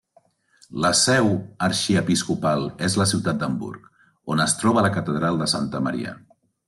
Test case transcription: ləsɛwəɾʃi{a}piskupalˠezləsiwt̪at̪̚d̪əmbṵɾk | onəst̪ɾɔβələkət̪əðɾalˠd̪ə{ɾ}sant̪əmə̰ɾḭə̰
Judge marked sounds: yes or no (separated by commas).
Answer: no, no